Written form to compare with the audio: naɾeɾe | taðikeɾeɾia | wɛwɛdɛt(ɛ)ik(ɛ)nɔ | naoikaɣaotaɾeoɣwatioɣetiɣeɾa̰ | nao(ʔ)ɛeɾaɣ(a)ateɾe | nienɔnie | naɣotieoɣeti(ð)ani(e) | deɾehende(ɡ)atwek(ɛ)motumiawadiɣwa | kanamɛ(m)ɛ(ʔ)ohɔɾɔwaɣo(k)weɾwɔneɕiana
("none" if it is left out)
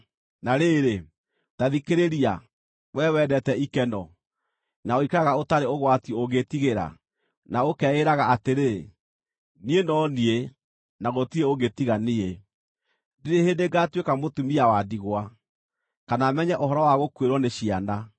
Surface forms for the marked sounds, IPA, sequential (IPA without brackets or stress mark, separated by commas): ɛ, ɛ, k, a, ɣ, e, ɡ, a, ɲ, ʔ, k